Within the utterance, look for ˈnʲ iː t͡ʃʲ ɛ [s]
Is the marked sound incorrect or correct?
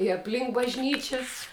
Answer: correct